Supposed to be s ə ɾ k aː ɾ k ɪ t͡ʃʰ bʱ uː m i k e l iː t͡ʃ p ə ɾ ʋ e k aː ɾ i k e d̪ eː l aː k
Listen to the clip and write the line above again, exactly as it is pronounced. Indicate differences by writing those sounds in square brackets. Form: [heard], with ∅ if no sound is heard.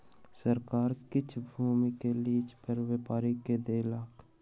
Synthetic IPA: s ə ɾ k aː ɾ k ɪ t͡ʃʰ bʱ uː m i k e l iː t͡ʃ p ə ɾ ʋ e [p] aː ɾ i k e d̪ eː l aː k